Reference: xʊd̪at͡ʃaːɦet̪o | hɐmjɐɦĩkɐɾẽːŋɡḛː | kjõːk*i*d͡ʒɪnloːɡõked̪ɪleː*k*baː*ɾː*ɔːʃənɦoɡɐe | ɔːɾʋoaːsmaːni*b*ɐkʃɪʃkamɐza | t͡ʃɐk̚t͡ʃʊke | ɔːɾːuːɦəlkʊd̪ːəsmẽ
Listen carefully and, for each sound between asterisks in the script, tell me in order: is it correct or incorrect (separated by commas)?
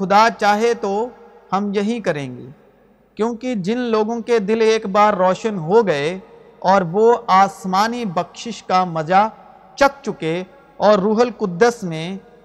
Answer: correct, correct, correct, correct